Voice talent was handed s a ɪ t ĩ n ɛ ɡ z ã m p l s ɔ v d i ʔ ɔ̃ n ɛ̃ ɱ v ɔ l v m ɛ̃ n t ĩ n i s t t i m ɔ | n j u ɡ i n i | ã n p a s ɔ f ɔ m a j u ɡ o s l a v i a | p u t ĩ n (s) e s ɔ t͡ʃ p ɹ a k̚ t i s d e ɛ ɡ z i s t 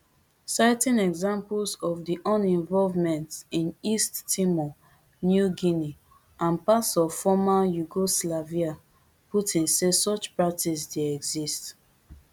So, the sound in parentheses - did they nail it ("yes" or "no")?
yes